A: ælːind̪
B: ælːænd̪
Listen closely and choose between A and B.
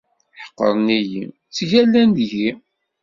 B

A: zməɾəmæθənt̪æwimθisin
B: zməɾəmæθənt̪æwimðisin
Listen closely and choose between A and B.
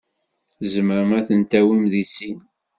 B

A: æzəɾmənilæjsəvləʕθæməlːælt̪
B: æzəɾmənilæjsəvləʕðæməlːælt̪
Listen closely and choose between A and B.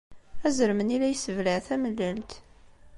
A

